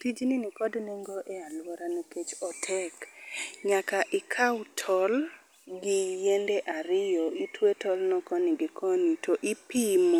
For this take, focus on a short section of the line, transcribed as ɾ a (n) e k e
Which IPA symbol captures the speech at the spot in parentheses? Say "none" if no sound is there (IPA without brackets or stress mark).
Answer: n